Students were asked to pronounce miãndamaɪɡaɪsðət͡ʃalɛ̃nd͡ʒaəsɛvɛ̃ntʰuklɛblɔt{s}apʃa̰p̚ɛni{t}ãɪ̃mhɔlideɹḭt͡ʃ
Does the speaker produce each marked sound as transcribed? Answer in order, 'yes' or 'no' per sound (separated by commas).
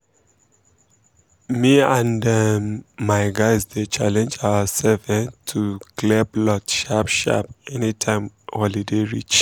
no, no